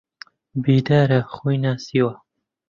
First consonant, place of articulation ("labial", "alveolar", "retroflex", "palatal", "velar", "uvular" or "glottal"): labial